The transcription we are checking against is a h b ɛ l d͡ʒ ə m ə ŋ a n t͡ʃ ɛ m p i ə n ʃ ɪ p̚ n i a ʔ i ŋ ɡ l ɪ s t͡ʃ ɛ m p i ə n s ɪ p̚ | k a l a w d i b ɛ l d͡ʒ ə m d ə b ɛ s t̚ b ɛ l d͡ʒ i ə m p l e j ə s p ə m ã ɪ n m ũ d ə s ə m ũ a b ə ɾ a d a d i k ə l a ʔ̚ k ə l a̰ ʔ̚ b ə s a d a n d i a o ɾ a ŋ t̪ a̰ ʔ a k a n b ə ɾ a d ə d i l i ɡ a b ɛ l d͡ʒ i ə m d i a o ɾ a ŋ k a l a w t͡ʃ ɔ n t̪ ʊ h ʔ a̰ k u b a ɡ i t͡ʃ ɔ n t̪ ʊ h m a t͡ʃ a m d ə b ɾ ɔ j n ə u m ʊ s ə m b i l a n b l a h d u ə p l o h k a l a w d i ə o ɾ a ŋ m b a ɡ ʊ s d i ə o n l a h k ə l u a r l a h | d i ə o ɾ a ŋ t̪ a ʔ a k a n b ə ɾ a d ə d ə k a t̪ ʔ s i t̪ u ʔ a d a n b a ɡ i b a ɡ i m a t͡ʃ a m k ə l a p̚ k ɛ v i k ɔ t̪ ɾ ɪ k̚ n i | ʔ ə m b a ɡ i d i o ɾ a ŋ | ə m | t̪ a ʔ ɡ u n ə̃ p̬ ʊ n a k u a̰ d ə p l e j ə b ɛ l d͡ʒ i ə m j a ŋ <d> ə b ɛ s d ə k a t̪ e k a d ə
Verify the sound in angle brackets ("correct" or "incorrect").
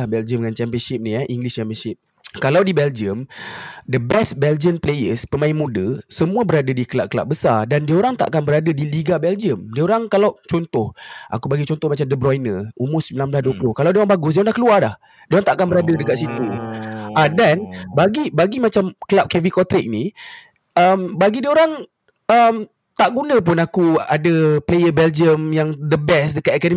correct